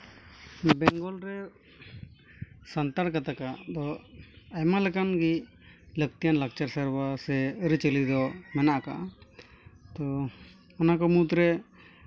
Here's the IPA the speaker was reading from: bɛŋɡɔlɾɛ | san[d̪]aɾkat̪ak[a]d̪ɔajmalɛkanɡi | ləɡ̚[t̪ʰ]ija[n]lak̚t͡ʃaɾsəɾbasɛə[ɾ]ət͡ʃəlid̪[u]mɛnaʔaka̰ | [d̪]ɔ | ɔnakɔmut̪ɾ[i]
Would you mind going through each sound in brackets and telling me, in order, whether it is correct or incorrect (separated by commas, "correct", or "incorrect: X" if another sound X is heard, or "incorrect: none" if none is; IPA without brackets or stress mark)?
incorrect: t̪, correct, incorrect: t̪, correct, correct, incorrect: ɔ, incorrect: t̪, incorrect: ɛ